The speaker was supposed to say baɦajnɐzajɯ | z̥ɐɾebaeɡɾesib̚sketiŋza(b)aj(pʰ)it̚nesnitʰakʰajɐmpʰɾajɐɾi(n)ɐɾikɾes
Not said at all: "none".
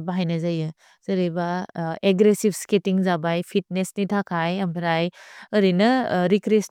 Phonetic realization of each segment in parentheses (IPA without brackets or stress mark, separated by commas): b, pʰ, n